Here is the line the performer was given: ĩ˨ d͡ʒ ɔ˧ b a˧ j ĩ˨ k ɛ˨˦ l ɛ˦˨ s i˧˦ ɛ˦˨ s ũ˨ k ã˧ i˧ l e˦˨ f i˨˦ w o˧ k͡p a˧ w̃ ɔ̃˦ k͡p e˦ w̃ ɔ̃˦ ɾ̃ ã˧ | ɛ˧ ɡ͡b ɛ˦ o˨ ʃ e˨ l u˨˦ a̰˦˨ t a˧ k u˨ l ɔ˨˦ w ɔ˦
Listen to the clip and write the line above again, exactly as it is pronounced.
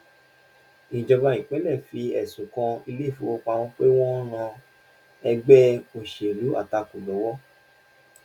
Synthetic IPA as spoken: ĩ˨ d͡ʒ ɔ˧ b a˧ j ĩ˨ k͡p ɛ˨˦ l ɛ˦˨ f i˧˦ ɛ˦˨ s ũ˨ k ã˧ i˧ l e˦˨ f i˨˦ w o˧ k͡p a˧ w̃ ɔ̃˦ k͡p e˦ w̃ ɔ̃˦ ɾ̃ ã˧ | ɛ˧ ɡ͡b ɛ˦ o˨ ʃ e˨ l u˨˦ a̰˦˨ t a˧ k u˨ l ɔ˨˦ w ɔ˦

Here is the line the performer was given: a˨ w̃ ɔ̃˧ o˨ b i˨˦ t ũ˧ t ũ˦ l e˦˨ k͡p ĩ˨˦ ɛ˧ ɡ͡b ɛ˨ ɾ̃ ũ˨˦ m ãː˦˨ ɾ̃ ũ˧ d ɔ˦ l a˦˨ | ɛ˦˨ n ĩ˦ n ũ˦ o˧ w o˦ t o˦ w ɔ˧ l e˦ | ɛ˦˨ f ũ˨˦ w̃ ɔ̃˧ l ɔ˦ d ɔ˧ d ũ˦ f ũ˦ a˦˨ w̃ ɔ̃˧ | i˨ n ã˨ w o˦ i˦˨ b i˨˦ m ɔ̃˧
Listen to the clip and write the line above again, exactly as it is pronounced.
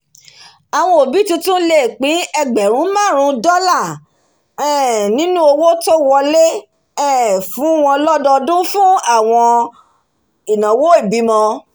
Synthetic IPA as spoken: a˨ w̃ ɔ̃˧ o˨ b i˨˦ t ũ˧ t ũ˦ l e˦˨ k͡p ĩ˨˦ ɛ˧ ɡ͡b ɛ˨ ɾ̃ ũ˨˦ m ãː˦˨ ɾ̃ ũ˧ d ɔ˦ l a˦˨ | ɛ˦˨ n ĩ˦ n ũ˦ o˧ w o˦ t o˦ w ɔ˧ l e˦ | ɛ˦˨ f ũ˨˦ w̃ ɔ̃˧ l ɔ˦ d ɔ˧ d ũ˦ f ũ˦ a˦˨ w̃ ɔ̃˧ | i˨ n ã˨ w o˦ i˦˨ b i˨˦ m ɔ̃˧

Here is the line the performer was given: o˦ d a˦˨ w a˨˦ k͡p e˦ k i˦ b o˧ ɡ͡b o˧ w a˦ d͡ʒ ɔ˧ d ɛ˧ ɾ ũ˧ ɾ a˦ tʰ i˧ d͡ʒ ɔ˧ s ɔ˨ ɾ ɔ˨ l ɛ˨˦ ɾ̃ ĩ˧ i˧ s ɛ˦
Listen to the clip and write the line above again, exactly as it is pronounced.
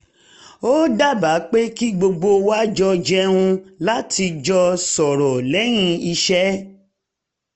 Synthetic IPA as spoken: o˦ d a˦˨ b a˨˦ k͡p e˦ k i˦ ɡ͡b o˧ ɡ͡b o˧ w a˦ d͡ʒ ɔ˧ d͡ʒ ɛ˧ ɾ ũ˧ l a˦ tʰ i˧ d͡ʒ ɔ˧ s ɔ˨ ɾ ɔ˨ l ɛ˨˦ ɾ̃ ĩ˧ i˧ ʃ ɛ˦

